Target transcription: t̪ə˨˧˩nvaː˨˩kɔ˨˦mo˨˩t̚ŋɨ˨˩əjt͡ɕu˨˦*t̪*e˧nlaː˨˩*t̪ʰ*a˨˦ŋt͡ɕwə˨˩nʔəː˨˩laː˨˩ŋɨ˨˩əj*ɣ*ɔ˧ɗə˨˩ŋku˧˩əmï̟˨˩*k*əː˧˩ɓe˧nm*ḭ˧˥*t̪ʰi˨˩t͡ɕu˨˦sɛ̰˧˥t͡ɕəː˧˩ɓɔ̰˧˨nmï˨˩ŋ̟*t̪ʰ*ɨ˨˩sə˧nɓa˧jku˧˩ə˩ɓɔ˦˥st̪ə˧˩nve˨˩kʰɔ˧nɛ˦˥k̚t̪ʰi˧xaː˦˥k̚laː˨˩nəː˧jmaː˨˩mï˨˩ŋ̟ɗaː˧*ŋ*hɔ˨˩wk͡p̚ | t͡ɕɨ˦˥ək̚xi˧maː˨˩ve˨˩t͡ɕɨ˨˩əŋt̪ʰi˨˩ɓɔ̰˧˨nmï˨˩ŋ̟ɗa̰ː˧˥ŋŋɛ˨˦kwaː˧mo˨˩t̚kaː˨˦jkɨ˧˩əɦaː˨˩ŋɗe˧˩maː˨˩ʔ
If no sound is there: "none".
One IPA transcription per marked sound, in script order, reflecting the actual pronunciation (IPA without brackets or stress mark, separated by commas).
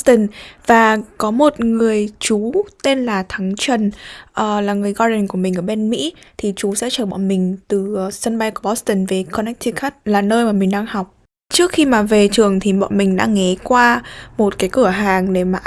t̪, t̪ʰ, ɣ, ʔ, ḭ˧˥, t̪, ŋ